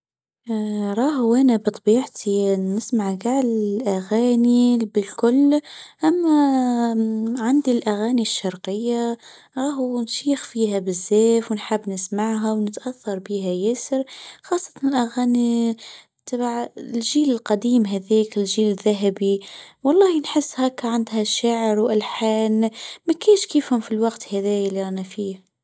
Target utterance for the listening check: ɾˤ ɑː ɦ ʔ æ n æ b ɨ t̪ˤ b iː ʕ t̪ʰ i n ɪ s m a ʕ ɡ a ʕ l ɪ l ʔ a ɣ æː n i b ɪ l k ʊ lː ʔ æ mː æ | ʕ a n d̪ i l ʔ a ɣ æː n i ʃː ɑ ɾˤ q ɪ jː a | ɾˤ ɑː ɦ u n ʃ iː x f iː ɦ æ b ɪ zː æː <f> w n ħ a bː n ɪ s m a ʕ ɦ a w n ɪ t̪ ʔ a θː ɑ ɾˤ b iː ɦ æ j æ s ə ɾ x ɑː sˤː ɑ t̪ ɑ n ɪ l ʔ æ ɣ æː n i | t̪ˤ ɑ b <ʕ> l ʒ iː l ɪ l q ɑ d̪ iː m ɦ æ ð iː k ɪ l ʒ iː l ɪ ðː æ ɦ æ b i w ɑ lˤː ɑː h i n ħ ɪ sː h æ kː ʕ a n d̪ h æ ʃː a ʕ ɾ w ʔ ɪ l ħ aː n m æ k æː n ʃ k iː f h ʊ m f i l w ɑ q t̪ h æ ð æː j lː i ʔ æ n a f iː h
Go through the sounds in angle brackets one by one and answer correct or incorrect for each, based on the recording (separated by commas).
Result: correct, correct